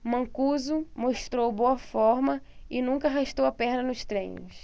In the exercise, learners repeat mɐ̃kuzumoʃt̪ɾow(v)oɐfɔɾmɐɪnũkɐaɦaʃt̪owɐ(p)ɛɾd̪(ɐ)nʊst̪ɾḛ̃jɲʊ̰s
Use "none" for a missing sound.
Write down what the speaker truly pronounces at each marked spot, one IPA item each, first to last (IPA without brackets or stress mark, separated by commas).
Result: b, p, ɐ